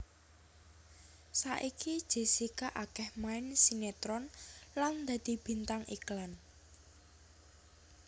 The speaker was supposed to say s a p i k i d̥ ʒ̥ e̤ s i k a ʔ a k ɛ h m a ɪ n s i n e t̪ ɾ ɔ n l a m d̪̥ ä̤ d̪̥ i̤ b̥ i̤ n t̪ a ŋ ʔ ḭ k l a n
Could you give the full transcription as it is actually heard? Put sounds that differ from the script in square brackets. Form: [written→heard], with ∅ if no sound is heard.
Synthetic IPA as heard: s a [p→ʔ] i k i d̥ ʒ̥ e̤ s i k a ʔ a k ɛ h m a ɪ n s i n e t̪ ɾ ɔ n l a [m→n] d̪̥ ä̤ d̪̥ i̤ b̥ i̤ n t̪ a ŋ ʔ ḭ k l a n